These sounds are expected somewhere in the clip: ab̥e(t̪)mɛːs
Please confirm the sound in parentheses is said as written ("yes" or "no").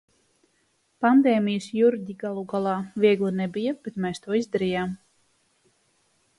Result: yes